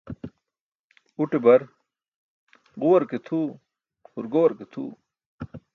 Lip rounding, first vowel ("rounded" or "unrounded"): rounded